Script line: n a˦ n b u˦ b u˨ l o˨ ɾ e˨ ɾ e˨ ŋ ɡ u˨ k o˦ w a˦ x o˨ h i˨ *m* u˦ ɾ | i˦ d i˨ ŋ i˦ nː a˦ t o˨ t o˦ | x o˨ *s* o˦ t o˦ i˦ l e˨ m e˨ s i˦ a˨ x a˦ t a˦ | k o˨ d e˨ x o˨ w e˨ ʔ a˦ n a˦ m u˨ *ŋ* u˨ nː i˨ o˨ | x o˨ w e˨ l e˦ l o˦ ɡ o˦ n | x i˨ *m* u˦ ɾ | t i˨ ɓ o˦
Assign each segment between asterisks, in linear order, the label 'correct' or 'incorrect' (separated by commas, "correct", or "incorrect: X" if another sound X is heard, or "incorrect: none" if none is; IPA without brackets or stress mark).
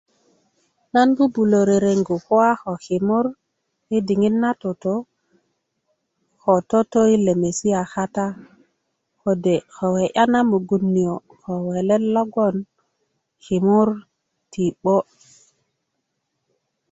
correct, incorrect: t, incorrect: ɡ, correct